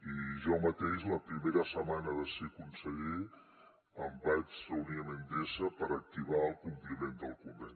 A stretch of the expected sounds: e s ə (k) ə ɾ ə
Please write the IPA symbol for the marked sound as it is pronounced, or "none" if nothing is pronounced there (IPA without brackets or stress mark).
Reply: p